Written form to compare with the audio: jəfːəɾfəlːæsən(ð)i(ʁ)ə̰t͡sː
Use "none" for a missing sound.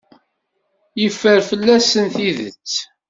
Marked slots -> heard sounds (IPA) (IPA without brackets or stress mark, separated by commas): θ, ð